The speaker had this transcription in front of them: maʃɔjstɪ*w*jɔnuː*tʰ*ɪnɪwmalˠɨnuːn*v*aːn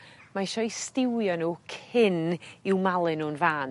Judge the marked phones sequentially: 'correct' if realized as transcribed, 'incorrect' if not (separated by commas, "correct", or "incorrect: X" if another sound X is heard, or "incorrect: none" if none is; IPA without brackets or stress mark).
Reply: correct, incorrect: kʰ, correct